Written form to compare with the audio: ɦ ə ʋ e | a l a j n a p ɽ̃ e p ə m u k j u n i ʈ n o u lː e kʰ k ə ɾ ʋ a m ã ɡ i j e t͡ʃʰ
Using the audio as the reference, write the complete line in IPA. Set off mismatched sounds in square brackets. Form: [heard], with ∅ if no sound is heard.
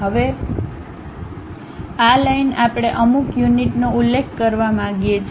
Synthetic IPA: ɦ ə ʋ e | a l a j n a p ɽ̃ e [ʔ] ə m u k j u n i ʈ n o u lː e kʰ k ə ɾ ʋ a m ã ɡ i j e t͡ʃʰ